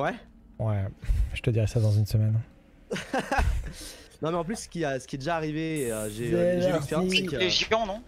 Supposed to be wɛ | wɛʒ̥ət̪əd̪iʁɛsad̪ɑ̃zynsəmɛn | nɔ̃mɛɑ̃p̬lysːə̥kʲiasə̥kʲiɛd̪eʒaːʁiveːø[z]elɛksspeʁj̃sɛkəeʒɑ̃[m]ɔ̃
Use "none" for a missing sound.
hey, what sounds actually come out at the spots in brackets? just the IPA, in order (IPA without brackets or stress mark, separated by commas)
ʒ, n